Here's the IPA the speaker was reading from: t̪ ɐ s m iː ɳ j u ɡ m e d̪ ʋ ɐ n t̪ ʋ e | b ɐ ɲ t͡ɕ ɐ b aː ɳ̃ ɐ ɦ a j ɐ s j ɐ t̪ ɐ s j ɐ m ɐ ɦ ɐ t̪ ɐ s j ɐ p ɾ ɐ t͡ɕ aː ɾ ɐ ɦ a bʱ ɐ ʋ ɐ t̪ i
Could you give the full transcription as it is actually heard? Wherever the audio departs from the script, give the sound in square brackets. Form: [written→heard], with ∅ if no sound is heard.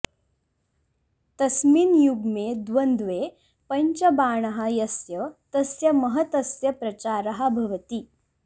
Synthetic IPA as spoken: t̪ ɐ s m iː [ɳ→n] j u ɡ m e d̪ ʋ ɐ n [t̪→d̪] ʋ e | [b→p] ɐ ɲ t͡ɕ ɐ b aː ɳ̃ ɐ ɦ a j ɐ s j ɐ t̪ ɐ s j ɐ m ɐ ɦ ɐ t̪ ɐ s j ɐ p ɾ ɐ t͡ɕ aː ɾ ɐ ɦ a bʱ ɐ ʋ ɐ t̪ i